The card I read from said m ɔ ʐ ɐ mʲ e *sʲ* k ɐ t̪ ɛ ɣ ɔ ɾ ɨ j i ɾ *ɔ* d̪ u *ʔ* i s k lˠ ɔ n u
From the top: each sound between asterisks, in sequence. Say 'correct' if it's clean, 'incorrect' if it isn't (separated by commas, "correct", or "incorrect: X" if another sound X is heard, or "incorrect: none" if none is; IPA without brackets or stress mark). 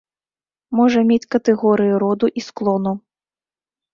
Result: incorrect: t͡sʲ, correct, correct